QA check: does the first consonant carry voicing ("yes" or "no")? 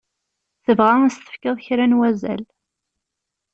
no